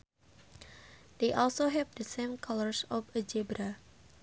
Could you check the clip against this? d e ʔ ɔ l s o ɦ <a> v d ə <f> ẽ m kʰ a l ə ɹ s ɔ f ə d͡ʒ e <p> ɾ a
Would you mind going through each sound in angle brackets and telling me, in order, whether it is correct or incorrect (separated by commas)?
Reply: incorrect, incorrect, incorrect